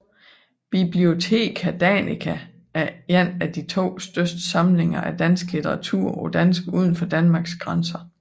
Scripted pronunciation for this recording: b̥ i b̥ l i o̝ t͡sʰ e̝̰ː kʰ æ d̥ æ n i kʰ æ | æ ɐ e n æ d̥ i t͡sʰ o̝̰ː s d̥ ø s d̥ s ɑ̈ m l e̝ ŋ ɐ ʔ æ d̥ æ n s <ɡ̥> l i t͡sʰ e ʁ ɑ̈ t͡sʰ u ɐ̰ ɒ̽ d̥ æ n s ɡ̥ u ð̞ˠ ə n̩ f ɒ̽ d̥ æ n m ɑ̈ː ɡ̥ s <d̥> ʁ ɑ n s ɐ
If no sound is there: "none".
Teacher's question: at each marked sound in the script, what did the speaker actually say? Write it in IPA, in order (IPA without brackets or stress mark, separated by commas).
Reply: ɡ̥, ɡ̥